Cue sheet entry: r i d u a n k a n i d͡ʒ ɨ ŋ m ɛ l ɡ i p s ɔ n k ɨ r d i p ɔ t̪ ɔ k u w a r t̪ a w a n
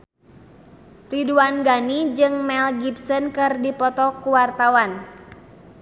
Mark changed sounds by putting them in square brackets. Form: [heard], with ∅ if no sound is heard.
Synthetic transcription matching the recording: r i d u a n [ɡ] a n i d͡ʒ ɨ ŋ m ɛ l ɡ i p s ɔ n k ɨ r d i p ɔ t̪ ɔ k u w a r t̪ a w a n